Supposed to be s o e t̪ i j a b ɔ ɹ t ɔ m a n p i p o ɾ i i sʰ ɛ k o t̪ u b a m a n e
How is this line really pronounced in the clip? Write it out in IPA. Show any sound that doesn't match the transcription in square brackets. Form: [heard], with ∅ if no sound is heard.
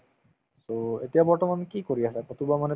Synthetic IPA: s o e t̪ i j a b ɔ ɹ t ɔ m a n [k] i [k] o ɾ i [a] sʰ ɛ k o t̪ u b a m a n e